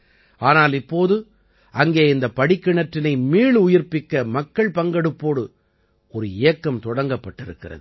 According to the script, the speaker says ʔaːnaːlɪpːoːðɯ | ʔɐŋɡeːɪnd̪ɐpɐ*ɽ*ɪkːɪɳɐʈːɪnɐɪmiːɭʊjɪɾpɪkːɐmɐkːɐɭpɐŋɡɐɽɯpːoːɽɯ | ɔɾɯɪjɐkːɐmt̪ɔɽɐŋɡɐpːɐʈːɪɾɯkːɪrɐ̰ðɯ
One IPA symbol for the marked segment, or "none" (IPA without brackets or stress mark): ɽ